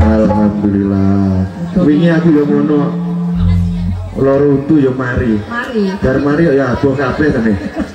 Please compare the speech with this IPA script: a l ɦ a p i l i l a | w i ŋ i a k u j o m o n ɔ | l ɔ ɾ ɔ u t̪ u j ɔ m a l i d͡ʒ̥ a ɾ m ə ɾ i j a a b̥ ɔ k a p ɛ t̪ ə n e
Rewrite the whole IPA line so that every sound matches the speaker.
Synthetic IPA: a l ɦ a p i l i l a | w i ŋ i a k u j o m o n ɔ | l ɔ ɾ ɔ u t̪ u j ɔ m a ɾ i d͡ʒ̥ a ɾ m a ɾ i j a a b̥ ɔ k a p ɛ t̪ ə n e